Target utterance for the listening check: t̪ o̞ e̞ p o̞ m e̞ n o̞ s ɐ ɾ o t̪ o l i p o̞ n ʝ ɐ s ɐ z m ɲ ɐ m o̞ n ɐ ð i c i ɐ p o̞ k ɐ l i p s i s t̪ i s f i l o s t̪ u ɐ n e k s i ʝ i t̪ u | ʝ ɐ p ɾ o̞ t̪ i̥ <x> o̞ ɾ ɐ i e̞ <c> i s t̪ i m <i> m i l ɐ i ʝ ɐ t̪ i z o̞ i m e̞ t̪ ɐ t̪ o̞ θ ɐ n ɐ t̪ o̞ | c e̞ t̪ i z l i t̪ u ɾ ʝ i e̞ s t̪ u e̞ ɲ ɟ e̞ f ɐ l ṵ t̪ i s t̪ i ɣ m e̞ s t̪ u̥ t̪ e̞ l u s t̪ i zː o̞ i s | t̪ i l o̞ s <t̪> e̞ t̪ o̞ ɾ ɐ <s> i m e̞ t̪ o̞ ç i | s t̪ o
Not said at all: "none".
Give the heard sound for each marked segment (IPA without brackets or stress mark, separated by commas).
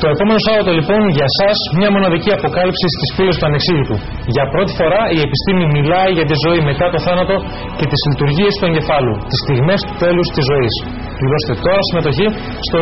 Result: f, p, i, t̪, s